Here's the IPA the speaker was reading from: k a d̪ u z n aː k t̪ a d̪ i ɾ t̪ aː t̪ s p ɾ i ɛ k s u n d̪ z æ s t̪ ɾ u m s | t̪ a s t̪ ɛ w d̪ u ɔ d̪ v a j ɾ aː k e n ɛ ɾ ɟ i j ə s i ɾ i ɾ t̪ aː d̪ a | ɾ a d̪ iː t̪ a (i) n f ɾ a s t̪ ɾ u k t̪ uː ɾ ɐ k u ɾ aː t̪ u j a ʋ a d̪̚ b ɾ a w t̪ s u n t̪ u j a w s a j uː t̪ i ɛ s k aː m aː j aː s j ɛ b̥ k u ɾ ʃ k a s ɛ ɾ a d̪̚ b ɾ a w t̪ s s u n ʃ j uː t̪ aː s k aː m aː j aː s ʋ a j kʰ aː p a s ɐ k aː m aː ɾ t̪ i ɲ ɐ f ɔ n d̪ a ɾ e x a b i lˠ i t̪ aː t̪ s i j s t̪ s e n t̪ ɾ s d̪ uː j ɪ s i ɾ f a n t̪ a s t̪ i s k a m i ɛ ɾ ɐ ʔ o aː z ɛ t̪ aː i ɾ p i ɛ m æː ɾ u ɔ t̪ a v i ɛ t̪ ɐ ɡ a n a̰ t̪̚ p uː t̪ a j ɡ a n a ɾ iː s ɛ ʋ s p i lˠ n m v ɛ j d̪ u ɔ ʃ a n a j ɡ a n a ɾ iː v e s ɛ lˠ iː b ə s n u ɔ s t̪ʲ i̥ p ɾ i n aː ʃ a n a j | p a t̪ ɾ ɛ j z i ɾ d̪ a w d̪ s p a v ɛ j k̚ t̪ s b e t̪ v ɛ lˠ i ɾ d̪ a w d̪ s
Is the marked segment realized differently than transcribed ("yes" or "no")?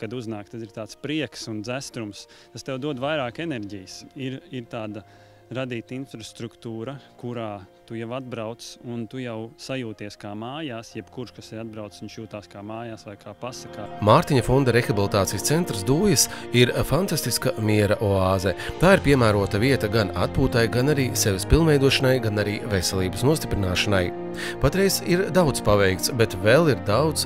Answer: no